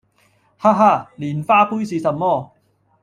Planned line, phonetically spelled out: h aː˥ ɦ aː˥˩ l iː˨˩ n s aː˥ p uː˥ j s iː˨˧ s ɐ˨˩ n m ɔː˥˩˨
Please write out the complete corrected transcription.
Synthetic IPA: h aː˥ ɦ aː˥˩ l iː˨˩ n f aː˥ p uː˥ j s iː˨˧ s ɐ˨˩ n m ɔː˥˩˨